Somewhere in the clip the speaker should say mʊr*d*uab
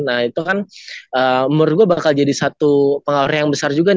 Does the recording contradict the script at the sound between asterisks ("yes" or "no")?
yes